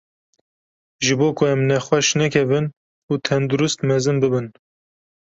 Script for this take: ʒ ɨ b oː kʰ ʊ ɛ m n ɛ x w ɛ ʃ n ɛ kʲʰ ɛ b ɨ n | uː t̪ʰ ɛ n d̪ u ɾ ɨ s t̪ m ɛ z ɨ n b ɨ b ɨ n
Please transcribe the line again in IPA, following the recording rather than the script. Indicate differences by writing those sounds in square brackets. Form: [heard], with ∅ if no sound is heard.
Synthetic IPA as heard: ʒ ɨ b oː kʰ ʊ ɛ m n ɛ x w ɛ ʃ n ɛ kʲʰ ɛ [v] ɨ n | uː t̪ʰ ɛ n d̪ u ɾ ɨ s t̪ m ɛ z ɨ n b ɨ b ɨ n

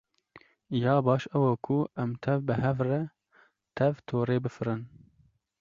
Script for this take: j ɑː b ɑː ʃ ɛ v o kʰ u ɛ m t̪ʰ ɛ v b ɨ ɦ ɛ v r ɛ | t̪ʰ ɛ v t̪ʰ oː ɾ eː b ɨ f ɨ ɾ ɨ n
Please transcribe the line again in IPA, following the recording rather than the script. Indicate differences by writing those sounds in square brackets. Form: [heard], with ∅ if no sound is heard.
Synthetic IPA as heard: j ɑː b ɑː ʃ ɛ [w] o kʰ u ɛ m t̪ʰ ɛ v b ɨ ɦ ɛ v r ɛ | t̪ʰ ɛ v t̪ʰ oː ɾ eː b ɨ f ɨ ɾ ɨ n

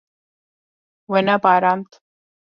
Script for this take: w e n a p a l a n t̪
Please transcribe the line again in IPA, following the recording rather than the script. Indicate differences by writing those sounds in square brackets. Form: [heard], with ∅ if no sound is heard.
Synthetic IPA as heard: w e n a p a [ɾ] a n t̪

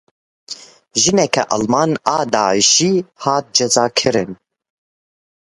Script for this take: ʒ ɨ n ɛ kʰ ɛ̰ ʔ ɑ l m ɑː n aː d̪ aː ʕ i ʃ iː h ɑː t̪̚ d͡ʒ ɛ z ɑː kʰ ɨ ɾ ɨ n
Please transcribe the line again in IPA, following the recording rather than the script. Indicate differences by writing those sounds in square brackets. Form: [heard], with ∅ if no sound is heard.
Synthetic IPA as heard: ʒ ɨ n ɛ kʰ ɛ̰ ʔ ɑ l m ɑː n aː d̪ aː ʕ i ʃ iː h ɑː t̪̚ d͡ʒ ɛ z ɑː kʰ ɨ ɾ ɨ n

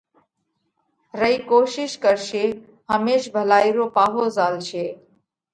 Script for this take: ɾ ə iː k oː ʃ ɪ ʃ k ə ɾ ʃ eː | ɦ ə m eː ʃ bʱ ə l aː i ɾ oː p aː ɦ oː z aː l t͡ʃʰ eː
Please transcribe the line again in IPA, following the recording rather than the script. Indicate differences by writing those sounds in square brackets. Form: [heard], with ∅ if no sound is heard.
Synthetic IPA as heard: ɾ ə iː k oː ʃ ɪ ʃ k ə ɾ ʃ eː | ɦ ə m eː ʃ bʱ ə l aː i ɾ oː p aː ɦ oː z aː l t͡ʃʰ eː

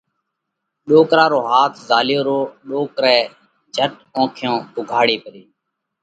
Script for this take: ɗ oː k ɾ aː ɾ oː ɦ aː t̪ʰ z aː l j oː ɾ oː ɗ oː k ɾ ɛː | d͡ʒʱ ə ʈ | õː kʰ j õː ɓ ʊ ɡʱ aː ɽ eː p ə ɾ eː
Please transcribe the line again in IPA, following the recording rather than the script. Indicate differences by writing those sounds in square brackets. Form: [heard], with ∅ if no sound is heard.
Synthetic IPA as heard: ɗ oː k ɾ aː ɾ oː ɦ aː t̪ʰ z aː l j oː ɾ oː ɗ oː k ɾ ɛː | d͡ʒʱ ə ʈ | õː kʰ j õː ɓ ʊ ɡʱ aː ɽ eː p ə ɾ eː

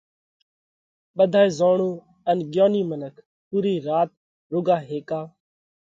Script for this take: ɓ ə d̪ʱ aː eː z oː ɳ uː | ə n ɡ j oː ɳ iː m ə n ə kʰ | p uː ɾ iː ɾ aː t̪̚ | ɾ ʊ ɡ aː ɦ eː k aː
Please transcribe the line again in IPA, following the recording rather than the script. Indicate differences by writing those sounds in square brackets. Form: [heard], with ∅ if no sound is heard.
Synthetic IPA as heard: ɓ ə d̪ʱ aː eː z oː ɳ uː | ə n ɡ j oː [n] iː m ə n ə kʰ | p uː ɾ iː ɾ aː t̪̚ | ɾ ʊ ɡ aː ɦ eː k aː

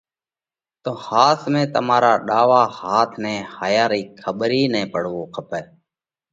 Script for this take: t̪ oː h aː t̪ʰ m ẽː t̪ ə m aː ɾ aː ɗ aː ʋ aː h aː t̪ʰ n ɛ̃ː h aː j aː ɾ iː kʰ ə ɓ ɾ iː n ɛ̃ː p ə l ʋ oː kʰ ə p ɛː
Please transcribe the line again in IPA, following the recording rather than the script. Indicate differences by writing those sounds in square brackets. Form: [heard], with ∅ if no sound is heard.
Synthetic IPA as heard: t̪ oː h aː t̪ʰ m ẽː t̪ ə m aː ɾ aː ɗ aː ʋ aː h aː t̪ʰ n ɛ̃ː h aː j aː ɾ iː kʰ ə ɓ ɾ iː n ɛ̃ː p ə [ɽ] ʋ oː kʰ ə p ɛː

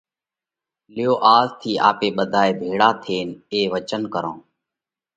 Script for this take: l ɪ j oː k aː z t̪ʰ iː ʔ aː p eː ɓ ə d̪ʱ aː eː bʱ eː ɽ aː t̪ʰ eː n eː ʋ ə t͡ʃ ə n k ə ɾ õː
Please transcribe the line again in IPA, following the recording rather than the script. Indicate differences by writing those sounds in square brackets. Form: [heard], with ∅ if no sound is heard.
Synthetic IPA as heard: l ɪ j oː [ʔ] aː z t̪ʰ iː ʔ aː p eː ɓ ə d̪ʱ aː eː bʱ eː ɽ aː t̪ʰ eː n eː ʋ ə t͡ʃ ə n k ə ɾ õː

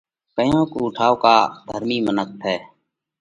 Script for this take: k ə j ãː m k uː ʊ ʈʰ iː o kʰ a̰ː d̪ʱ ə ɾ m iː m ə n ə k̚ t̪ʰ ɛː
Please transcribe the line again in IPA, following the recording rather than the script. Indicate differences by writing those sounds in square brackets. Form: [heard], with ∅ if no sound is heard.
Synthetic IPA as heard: k ə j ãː [∅] k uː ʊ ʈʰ [aː] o [k] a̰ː d̪ʱ ə ɾ m iː m ə n ə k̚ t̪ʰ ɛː

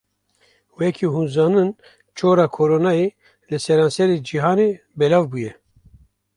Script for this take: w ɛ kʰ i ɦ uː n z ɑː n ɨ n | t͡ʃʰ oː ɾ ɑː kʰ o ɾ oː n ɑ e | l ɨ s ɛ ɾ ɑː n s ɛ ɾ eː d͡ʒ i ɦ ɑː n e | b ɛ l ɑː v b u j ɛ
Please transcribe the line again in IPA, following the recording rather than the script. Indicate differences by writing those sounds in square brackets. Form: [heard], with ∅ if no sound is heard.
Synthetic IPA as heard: w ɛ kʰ i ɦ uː n z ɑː n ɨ n | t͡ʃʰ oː ɾ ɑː kʰ o ɾ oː n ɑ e | l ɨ s ɛ ɾ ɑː n s ɛ ɾ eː d͡ʒ i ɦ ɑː n e | b ɛ l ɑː v b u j ɛ

